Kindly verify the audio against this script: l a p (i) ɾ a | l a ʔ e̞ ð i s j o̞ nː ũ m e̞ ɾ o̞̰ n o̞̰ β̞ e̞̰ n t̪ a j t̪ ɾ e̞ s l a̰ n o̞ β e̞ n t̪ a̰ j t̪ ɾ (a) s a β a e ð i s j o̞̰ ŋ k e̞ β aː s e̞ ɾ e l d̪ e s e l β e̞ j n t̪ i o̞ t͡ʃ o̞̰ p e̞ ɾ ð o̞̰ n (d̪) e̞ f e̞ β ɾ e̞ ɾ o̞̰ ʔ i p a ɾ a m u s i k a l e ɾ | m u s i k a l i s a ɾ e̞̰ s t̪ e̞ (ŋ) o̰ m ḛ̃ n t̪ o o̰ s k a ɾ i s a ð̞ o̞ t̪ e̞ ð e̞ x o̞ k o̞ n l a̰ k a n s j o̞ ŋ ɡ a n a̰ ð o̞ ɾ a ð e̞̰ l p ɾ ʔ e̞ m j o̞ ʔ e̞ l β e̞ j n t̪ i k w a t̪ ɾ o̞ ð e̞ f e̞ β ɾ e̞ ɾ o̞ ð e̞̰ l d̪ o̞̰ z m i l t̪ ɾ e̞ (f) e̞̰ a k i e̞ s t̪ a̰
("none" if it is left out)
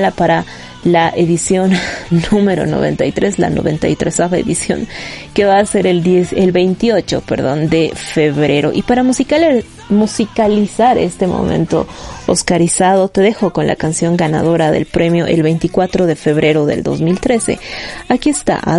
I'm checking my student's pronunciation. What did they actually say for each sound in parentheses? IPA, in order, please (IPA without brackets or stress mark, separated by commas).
a, e, d̪, m, s